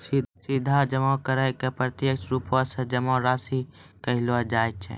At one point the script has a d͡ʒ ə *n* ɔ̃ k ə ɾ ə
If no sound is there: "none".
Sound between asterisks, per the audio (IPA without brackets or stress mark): m